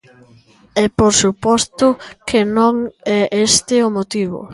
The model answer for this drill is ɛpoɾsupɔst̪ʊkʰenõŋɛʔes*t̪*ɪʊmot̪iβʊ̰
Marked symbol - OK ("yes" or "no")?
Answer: yes